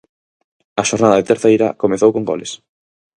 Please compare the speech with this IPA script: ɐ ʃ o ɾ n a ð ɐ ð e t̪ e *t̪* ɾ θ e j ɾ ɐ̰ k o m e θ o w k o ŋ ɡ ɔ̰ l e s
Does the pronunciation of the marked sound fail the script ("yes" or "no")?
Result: yes